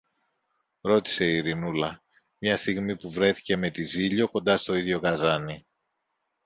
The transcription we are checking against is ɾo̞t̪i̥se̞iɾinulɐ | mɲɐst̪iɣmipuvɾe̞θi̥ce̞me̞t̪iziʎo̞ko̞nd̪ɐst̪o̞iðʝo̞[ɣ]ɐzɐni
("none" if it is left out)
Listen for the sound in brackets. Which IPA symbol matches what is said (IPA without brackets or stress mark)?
ɣ